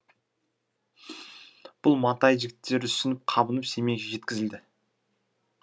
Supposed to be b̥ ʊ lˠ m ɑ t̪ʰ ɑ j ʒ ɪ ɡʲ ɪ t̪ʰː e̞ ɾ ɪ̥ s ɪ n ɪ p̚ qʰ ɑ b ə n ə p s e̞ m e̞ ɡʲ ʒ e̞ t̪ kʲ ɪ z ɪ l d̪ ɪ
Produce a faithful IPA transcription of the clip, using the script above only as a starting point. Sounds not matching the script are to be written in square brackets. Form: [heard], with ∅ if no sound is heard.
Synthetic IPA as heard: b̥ ʊ lˠ m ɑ [t̪] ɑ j ʒ ɪ ɡʲ ɪ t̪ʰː e̞ ɾ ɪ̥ s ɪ n ɪ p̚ qʰ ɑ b ə n ə p s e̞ m e̞ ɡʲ ʒ e̞ t̪ kʲ ɪ z ɪ l d̪ ɪ